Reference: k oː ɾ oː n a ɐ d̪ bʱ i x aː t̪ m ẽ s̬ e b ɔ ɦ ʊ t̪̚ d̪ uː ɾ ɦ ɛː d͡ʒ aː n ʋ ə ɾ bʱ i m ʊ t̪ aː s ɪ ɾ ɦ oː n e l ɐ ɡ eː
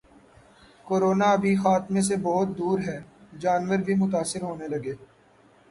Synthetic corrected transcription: k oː ɾ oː n a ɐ bʱ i x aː t̪ m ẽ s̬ e b ɔ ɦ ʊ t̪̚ d̪ uː ɾ ɦ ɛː d͡ʒ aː n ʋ ə ɾ bʱ i m ʊ t̪ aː s ɪ ɾ ɦ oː n e l ɐ ɡ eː